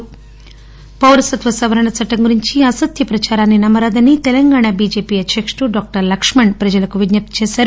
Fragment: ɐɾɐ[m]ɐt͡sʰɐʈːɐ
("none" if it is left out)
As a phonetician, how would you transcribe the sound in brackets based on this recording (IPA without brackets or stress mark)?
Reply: ɳ